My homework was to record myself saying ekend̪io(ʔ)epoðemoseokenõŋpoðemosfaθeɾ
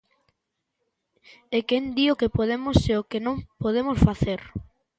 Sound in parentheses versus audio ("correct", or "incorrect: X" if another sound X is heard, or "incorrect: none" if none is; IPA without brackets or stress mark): incorrect: k